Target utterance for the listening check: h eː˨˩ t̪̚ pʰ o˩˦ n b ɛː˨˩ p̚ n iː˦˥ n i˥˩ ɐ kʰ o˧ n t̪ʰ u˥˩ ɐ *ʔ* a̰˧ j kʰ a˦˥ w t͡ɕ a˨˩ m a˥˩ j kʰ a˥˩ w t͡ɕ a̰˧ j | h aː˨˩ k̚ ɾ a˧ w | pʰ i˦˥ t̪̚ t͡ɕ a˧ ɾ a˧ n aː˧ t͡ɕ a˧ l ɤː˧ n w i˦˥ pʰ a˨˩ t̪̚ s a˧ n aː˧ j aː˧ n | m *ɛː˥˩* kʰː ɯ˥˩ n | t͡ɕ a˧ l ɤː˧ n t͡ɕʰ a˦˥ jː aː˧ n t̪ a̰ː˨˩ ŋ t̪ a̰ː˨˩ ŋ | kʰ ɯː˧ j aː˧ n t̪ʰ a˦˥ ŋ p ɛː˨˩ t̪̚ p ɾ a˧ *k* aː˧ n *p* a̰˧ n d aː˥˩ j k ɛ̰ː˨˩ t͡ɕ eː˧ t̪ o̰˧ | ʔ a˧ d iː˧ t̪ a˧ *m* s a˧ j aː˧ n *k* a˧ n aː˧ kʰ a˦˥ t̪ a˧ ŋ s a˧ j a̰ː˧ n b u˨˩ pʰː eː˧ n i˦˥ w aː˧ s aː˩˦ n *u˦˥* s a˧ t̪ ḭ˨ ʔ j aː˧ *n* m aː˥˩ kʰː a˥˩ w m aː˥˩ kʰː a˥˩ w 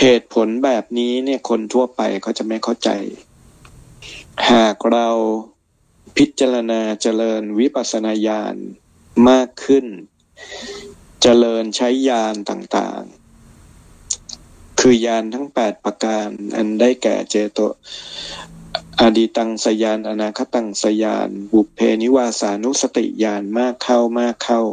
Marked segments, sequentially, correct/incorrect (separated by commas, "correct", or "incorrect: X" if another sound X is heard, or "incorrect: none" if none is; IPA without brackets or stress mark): incorrect: p, incorrect: aː˥˩, correct, incorrect: ʔ, incorrect: ŋ, incorrect: ʔ, correct, correct